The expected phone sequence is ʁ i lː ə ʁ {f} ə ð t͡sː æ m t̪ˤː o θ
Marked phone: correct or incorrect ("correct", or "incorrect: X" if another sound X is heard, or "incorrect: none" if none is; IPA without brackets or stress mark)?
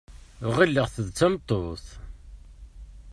incorrect: θ